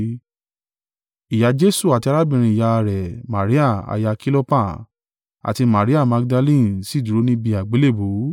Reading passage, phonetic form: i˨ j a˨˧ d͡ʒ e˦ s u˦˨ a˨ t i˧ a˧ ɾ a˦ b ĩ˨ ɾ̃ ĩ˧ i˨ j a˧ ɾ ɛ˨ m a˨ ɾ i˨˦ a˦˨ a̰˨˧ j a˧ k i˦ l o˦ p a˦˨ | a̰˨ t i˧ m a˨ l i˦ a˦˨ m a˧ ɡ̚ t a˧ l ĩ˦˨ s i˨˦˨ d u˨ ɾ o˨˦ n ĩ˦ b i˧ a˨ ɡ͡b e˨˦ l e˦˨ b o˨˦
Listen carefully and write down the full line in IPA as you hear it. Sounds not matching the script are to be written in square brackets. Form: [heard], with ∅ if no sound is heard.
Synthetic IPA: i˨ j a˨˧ d͡ʒ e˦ s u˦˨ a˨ t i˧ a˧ ɾ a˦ b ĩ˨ ɾ̃ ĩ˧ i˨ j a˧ ɾ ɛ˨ m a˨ ɾ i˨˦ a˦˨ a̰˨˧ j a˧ k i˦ l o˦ p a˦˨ | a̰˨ t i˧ m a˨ [ɾ] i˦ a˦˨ m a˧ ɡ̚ [d] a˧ l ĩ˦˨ s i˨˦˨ d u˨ ɾ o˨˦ n ĩ˦ b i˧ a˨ ɡ͡b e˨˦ l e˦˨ b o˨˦